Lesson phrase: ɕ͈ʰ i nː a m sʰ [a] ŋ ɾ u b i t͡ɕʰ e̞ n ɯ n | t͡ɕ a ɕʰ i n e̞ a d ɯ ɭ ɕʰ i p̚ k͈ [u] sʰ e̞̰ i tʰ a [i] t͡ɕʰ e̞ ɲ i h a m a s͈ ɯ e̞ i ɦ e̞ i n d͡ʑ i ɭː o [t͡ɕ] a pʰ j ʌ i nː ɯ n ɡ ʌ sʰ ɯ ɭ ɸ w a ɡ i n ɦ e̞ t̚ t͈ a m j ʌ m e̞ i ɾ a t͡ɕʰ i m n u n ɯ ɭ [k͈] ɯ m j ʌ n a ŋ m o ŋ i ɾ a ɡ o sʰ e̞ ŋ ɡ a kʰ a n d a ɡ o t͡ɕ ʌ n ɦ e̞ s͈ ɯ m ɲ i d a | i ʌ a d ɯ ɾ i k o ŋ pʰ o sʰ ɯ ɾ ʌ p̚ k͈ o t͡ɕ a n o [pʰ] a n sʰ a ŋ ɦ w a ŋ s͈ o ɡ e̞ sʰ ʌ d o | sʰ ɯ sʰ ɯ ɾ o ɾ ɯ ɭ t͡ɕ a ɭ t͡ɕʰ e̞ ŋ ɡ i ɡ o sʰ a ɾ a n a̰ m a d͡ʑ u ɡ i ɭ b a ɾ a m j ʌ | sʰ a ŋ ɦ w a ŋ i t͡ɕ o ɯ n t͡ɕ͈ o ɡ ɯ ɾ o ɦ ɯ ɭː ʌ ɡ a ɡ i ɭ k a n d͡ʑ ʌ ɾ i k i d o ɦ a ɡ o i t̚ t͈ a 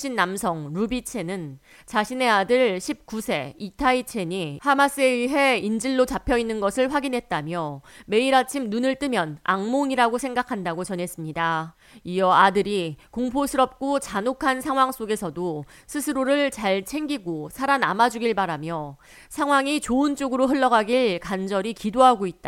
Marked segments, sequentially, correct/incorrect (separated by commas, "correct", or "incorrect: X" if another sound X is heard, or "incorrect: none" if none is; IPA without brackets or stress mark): incorrect: ʌ, correct, correct, correct, incorrect: t͈, incorrect: kʰ